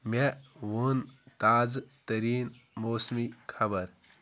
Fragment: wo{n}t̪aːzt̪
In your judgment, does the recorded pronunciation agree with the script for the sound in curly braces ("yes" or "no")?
yes